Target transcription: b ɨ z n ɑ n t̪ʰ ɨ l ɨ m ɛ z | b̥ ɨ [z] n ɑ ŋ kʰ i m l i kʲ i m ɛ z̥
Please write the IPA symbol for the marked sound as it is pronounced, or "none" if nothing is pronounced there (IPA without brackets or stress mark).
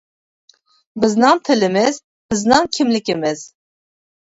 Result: z